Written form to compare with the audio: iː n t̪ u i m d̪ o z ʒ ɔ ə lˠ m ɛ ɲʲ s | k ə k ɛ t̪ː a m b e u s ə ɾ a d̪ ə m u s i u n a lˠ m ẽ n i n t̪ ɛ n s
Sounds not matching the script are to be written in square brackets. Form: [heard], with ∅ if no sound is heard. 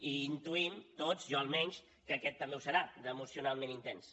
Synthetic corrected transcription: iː n t̪ u i m [t̪] o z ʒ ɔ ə lˠ m ɛ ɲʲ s | k ə k ɛ t̪ː [ə] m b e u s ə ɾ a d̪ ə m u s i u n a lˠ m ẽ n i n t̪ ɛ n s